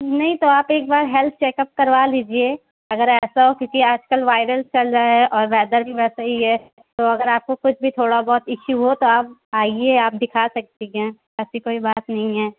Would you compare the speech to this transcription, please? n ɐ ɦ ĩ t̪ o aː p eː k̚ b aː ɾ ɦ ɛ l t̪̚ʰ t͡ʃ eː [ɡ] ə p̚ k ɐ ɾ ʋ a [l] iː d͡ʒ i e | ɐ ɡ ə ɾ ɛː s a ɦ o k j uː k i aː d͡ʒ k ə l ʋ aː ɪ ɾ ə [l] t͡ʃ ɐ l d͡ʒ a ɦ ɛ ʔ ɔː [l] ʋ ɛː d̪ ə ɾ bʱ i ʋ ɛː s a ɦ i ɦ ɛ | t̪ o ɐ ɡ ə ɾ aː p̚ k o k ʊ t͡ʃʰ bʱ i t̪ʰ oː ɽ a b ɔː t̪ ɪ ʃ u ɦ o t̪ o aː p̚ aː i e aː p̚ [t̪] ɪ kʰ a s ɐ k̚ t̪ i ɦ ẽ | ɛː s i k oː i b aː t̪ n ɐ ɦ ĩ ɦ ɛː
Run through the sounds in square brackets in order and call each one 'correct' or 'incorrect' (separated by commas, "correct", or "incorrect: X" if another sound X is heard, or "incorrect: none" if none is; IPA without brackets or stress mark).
incorrect: k, correct, correct, incorrect: ɾ, incorrect: d̪